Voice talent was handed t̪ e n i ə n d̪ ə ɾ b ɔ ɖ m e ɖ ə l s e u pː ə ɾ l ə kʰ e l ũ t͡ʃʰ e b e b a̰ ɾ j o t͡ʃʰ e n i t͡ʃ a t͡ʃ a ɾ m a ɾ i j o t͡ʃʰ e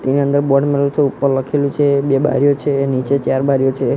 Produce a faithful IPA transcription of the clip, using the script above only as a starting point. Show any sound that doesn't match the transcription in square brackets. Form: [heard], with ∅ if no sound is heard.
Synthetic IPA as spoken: t̪ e n i ə n d̪ ə ɾ b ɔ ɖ m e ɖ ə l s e u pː ə ɾ l ə kʰ e l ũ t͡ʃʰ e b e b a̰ ɾ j o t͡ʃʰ e n i t͡ʃ [e] t͡ʃ a ɾ [b] a ɾ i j o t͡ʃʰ e